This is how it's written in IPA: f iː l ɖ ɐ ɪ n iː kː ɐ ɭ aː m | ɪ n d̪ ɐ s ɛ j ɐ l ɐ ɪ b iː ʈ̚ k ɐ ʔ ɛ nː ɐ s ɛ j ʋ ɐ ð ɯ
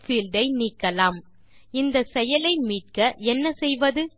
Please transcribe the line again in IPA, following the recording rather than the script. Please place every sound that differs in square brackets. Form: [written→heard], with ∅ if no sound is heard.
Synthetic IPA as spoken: f iː l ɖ ɐ ɪ n iː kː ɐ [ɭ→l] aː m | ɪ n d̪ ɐ s ɛ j ɐ l ɐ ɪ [b→m] iː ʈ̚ k ɐ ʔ ɛ nː ɐ s ɛ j ʋ ɐ ð ɯ